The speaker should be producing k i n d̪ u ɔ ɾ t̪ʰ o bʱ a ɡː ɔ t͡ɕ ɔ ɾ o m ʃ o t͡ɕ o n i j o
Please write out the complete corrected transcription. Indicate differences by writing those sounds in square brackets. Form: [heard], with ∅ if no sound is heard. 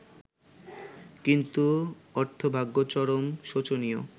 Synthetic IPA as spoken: k i n [t̪] u ɔ ɾ t̪ʰ o bʱ a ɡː [o] t͡ɕ ɔ ɾ o m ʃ o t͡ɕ o n i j o